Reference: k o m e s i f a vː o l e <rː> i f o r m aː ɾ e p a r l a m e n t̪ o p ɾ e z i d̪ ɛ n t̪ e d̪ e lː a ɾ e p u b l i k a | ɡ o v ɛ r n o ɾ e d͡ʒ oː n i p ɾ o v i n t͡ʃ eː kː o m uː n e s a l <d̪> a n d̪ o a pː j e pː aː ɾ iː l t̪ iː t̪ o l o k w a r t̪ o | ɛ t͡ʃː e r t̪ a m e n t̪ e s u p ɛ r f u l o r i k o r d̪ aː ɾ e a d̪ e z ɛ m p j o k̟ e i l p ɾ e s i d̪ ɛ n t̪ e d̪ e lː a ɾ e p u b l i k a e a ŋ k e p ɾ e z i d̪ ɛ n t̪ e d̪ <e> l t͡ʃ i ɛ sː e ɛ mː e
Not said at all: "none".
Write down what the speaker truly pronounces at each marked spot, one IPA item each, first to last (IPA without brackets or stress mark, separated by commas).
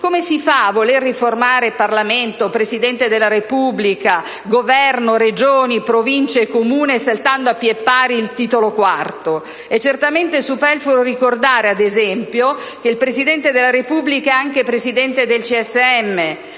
rː, t̪, e